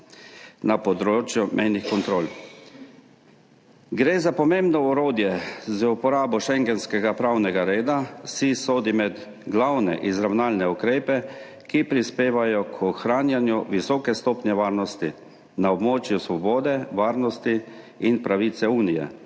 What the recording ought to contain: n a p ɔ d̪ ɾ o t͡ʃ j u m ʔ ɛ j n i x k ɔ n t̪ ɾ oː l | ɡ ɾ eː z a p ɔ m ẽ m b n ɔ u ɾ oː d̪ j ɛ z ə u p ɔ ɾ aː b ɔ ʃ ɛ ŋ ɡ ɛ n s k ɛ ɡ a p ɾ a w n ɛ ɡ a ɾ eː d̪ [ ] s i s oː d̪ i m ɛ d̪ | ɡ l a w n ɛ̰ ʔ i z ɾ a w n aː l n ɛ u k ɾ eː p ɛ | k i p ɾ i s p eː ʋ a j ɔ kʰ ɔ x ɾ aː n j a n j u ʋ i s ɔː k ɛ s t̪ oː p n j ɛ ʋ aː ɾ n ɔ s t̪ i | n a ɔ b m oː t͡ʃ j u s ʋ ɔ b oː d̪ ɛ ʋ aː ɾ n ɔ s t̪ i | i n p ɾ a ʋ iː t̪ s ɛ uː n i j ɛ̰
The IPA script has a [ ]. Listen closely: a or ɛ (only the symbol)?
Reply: a